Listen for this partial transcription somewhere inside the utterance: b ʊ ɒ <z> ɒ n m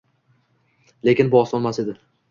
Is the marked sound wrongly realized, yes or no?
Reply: yes